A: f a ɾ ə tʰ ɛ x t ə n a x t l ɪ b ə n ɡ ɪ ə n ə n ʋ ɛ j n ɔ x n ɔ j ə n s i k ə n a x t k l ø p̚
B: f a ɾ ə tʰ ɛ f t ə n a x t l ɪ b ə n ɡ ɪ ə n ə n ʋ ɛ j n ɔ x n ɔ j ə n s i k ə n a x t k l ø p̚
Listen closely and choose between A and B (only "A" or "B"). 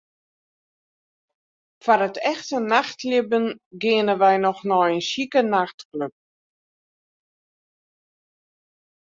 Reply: A